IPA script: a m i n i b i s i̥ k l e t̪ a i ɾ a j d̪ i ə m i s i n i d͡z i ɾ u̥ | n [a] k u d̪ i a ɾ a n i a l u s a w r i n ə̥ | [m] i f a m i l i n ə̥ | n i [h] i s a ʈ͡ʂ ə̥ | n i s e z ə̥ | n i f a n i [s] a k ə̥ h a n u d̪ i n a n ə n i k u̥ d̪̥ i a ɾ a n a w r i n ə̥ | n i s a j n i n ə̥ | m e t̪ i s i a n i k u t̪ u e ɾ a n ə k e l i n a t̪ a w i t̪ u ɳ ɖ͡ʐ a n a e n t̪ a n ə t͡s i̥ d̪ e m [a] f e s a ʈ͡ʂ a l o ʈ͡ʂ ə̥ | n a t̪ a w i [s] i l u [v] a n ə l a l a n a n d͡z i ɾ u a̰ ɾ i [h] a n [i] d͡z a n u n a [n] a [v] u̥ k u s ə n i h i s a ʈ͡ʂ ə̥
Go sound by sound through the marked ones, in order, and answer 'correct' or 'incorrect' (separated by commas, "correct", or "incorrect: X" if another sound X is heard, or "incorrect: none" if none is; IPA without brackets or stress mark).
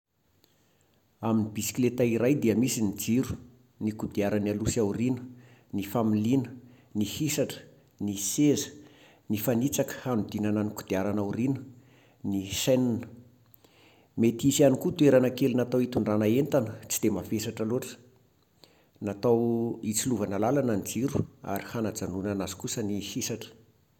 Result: incorrect: i, incorrect: n, correct, incorrect: t͡s, correct, incorrect: t͡s, correct, correct, incorrect: a, correct, incorrect: z